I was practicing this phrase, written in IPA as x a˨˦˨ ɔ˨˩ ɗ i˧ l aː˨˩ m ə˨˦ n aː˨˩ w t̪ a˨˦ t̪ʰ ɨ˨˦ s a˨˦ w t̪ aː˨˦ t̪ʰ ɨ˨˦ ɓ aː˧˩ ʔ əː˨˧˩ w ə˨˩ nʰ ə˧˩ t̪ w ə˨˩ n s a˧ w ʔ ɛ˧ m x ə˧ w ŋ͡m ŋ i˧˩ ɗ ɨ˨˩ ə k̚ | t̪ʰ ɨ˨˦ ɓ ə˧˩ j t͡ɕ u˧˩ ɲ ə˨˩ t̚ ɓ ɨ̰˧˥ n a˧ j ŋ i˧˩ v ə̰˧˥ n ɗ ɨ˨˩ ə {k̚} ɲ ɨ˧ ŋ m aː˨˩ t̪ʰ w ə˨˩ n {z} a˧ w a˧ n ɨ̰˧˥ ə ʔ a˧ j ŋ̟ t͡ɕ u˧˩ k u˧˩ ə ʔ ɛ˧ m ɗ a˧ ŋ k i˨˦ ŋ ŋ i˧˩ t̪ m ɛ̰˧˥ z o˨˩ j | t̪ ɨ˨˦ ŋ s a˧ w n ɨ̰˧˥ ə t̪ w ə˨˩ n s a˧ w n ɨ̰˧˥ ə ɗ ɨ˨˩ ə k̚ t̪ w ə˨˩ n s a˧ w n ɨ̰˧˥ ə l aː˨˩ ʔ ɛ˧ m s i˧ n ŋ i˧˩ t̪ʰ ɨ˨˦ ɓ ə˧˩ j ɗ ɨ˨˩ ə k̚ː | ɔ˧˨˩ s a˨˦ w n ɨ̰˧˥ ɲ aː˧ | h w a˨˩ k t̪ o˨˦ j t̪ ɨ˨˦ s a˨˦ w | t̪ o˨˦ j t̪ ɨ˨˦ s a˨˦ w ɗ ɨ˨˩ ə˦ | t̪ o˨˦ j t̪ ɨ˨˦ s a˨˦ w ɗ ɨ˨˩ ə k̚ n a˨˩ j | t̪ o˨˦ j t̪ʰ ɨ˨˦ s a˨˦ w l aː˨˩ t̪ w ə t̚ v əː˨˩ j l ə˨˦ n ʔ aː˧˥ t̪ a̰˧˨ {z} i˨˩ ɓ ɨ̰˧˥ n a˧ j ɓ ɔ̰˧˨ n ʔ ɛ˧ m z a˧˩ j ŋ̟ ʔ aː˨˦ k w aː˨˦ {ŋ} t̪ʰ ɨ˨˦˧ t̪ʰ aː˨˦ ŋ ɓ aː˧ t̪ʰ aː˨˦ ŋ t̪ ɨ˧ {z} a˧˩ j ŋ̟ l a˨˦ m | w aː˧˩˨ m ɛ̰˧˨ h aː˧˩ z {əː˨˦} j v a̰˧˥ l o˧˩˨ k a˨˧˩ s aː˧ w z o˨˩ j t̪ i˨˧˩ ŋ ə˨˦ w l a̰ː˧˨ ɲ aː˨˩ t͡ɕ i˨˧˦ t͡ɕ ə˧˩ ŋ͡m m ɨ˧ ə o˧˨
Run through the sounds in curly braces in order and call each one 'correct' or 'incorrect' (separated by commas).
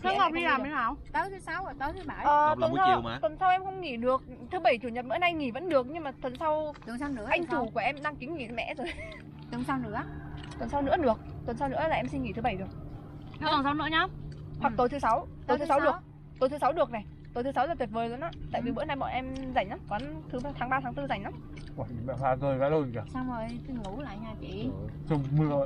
correct, incorrect, incorrect, incorrect, correct, incorrect